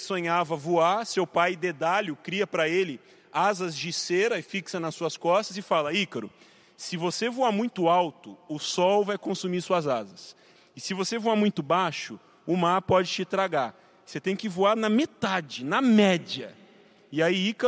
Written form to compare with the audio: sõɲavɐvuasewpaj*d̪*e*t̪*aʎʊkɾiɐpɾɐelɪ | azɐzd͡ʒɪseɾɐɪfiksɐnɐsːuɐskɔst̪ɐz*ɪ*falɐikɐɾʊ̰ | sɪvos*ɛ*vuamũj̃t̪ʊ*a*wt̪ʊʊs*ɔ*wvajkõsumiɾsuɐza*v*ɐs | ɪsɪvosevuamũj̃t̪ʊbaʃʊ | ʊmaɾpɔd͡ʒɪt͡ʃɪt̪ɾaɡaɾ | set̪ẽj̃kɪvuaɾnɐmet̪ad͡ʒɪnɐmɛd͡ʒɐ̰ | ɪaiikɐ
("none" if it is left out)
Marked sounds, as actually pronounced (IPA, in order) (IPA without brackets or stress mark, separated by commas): d̪, d̪, ɪ, e, a, ɔ, z